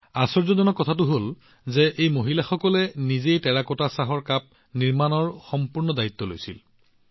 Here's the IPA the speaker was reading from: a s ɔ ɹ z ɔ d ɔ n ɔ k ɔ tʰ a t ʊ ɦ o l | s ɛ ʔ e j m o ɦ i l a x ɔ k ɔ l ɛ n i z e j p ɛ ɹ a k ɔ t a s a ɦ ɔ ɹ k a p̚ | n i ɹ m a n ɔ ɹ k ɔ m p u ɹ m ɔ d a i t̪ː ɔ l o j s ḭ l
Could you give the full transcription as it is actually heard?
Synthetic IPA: a s ɔ ɹ z ɔ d ɔ n ɔ k ɔ tʰ a t ʊ ɦ o l | z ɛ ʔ e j m o ɦ i l a x ɔ k ɔ l ɛ n i z e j t ɛ ɹ a k ɔ t a s a ɦ ɔ ɹ k a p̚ | n i ɹ m a n ɔ ɹ x ɔ m p u ɹ n ɔ d a i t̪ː ɔ l o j s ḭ l